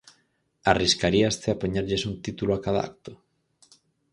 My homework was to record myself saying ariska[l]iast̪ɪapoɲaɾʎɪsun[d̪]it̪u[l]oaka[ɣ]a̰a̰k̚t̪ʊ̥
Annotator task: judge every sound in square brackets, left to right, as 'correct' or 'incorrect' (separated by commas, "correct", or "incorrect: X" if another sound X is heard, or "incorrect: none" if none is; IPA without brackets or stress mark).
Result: incorrect: ɾ, incorrect: t̪, correct, incorrect: ð